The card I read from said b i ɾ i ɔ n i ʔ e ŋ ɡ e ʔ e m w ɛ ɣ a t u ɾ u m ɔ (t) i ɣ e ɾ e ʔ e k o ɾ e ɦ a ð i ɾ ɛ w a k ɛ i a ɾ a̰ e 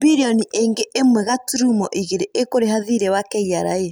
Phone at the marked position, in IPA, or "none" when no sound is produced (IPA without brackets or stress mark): ʔ